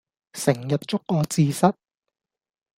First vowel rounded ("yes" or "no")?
no